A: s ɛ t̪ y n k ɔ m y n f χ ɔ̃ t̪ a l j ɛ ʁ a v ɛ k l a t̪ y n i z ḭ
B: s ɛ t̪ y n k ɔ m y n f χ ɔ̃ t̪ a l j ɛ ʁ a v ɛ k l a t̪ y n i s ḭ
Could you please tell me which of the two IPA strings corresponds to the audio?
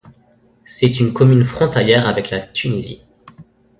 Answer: A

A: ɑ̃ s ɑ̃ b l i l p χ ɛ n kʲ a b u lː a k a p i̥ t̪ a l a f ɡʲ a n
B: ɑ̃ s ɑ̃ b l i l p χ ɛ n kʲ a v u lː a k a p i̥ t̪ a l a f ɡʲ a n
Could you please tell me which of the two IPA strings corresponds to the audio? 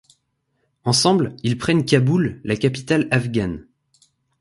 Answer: A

